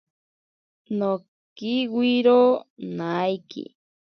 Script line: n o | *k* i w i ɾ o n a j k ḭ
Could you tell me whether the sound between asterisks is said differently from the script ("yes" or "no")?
no